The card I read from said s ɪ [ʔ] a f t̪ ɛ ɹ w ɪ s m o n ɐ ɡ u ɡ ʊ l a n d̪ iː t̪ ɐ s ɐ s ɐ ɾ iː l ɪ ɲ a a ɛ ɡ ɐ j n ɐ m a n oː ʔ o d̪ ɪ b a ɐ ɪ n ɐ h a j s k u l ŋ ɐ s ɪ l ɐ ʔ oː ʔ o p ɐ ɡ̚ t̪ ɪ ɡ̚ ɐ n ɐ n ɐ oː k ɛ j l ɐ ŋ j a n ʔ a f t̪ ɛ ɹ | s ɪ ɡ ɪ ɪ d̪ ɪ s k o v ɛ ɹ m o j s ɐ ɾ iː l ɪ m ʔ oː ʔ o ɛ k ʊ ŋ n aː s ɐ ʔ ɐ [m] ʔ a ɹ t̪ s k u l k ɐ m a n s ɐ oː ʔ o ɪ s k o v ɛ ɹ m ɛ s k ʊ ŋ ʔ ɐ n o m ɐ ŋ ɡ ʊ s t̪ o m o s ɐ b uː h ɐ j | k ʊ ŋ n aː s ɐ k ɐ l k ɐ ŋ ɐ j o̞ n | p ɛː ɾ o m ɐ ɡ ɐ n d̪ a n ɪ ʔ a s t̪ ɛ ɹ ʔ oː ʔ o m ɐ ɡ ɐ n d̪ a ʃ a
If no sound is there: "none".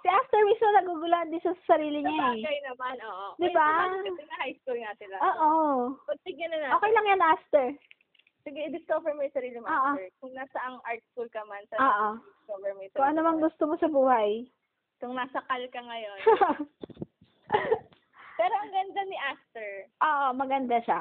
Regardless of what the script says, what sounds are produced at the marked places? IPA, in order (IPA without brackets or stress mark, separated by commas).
ʔ, ŋ